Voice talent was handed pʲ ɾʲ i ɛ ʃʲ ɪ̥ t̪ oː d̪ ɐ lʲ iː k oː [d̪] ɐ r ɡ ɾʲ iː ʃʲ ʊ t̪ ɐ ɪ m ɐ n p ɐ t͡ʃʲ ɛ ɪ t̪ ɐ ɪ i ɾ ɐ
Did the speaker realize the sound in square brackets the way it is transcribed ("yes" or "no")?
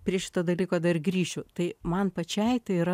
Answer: yes